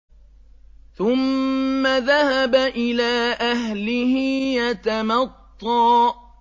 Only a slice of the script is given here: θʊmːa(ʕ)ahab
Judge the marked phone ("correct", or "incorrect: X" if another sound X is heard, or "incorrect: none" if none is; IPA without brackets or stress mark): incorrect: ð